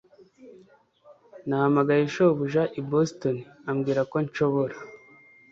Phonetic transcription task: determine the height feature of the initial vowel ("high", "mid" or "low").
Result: low